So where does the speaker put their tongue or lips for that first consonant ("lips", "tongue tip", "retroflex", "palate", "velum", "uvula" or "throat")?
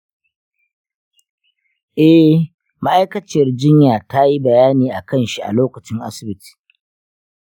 throat